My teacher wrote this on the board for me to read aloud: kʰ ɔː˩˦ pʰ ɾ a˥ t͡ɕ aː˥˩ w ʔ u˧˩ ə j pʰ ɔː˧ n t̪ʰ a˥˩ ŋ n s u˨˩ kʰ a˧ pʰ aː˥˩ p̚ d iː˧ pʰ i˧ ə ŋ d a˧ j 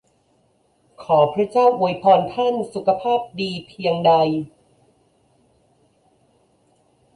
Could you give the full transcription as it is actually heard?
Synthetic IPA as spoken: kʰ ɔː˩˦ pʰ ɾ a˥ t͡ɕ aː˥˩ w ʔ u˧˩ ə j pʰ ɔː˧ n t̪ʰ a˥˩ n s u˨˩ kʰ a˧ pʰ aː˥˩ p̚ d iː˧ pʰ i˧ ə ŋ d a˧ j